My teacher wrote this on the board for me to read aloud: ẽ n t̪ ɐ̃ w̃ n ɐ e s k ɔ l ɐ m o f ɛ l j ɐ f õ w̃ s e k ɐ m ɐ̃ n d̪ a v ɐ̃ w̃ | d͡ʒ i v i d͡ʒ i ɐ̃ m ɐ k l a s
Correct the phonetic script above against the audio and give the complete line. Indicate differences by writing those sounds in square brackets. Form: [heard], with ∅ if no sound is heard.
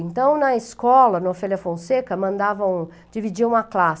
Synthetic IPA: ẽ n t̪ ɐ̃ w̃ n ɐ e s k ɔ l ɐ [n] o f ɛ l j ɐ f õ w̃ s e k ɐ m ɐ̃ n d̪ a v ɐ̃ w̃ | d͡ʒ i v i d͡ʒ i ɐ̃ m ɐ k l a s